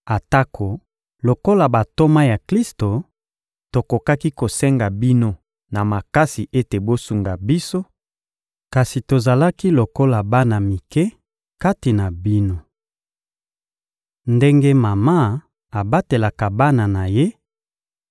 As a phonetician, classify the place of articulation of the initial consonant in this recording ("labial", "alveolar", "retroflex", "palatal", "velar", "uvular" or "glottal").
alveolar